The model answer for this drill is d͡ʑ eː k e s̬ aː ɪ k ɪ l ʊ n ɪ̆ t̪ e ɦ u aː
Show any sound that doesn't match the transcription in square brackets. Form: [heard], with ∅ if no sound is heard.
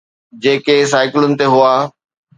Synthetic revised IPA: d͡ʑ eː k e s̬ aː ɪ k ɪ l ʊ n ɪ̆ t̪ e ɦ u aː